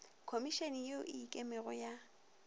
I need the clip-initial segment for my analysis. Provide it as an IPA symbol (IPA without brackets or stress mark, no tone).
kʰ